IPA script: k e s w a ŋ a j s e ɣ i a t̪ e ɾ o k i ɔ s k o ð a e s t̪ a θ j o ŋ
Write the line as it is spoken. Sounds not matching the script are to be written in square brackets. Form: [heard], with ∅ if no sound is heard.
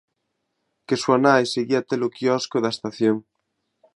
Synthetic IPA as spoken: k e s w a [n] a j s e ɣ i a t̪ e [l] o k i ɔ s k o ð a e s t̪ a θ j o ŋ